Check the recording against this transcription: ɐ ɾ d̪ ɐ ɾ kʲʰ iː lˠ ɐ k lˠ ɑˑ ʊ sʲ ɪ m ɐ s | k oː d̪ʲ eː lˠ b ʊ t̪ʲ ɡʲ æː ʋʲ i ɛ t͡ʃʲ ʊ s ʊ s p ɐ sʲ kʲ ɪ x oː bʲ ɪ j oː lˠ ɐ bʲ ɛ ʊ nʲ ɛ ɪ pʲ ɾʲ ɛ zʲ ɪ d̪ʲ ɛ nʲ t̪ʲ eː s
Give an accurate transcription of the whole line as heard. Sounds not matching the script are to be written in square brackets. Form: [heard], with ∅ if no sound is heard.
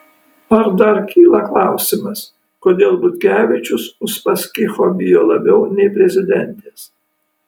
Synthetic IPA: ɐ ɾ d̪ ɐ ɾ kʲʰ iː lˠ ɐ k lˠ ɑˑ ʊ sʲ ɪ m ɐ s | k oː d̪ʲ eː lˠ b ʊ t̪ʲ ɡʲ æː ʋʲ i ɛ t͡ʃʲ ʊ s ʊ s p ɐ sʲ kʲ ɪ x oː bʲ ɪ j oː lˠ ɐ bʲ ɛ ʊ nʲ ɛ ɪ pʲ ɾʲ ɛ zʲ ɪ d̪ʲ ɛ nʲ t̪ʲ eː s